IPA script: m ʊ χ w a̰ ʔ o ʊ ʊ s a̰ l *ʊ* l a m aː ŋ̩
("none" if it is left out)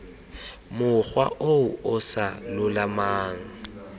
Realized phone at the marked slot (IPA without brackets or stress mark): ʊ